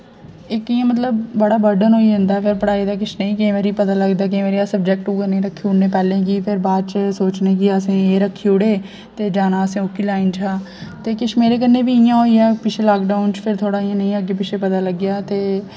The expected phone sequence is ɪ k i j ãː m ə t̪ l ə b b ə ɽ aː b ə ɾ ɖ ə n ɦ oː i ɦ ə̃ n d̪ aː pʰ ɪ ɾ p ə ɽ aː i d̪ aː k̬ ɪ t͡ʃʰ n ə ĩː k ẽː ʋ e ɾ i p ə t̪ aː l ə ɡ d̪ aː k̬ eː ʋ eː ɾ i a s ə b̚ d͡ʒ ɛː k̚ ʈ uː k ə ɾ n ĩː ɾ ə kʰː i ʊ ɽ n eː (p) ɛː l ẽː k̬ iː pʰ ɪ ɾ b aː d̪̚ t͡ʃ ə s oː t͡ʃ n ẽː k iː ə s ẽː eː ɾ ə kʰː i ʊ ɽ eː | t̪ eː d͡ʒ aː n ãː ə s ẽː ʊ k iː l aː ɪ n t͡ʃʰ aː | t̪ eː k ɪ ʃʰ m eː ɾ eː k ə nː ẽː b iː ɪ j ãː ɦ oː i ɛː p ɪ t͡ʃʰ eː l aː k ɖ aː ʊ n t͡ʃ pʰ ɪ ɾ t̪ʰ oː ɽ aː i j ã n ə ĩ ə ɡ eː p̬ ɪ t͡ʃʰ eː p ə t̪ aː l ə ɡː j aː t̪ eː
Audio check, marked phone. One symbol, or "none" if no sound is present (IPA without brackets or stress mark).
p